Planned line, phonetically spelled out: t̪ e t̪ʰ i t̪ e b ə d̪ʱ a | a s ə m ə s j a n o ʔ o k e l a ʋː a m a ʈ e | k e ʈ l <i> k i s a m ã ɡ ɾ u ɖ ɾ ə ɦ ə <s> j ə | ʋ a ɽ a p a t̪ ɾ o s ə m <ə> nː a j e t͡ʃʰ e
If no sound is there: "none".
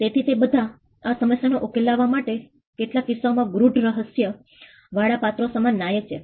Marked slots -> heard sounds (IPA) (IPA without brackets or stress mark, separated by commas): a, s, a